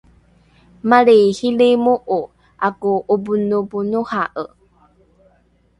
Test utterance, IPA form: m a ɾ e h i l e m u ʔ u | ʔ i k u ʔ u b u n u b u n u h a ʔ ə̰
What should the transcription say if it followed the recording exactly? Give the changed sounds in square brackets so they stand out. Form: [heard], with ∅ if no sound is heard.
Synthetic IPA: m a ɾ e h i l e m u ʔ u | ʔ [a] k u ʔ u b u n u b u n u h a ʔ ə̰